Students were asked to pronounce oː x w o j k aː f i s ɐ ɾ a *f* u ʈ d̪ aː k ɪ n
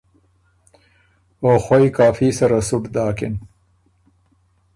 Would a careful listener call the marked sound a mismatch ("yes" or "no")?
yes